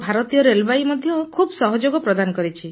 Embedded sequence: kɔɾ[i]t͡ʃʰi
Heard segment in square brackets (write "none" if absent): i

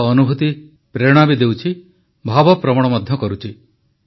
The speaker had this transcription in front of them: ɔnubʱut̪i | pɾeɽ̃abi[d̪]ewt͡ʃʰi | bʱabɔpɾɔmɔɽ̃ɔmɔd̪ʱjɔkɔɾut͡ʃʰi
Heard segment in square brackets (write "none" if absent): d̪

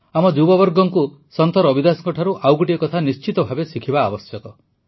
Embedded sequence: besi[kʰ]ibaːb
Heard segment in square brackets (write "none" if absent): kʰ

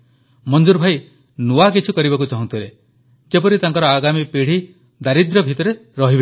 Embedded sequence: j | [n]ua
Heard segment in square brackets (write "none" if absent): n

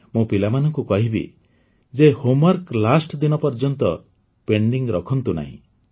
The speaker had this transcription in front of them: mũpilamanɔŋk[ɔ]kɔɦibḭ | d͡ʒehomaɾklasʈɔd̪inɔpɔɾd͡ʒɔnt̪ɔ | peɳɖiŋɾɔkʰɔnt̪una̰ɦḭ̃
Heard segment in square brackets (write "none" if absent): u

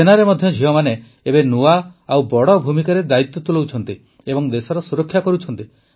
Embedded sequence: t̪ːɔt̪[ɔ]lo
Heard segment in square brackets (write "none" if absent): u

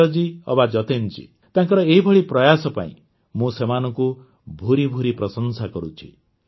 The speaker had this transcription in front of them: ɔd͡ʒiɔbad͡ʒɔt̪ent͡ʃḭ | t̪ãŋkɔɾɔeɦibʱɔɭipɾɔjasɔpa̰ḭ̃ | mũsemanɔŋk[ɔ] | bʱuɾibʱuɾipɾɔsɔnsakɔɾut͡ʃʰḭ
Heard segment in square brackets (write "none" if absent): u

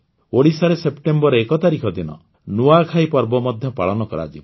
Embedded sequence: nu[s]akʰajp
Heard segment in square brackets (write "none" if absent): none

